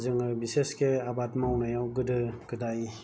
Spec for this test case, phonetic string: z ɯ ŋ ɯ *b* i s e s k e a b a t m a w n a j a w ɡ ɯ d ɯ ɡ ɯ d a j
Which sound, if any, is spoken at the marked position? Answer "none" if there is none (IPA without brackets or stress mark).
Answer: b